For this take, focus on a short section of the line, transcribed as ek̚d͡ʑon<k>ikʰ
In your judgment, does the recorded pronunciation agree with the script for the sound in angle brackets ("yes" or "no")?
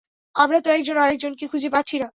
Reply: yes